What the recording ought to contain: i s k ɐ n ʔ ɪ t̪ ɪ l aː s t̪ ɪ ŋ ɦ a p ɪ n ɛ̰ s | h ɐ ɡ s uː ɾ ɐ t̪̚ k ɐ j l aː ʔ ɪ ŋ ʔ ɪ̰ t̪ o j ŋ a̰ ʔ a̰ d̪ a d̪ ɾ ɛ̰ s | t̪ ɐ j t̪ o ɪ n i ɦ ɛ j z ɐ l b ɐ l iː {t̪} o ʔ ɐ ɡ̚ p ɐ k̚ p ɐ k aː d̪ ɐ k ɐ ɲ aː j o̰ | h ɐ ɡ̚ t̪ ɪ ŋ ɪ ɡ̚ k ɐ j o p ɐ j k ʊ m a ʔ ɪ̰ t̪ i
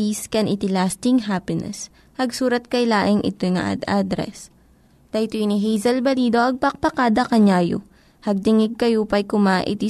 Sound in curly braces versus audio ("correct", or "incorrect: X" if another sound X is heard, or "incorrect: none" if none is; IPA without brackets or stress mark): incorrect: d̪